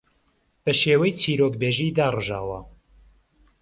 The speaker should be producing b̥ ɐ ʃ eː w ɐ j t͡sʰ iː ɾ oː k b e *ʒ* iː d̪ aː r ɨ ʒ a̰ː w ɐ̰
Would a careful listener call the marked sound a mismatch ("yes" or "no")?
no